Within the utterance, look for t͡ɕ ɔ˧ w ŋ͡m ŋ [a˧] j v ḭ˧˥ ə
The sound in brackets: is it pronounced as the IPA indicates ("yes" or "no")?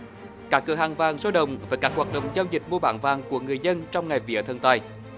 no